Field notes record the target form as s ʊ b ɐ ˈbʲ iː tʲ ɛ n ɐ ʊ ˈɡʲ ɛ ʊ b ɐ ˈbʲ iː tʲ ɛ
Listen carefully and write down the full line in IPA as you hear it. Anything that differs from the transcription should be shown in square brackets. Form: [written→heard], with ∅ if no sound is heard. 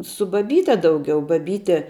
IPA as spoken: s ʊ b ɐ ˈbʲ iː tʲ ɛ [n→d] ɐ ʊ ˈɡʲ ɛ ʊ b ɐ ˈbʲ iː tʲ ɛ